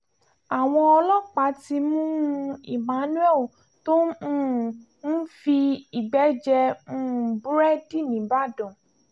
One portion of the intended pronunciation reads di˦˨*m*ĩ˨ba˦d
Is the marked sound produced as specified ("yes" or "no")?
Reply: no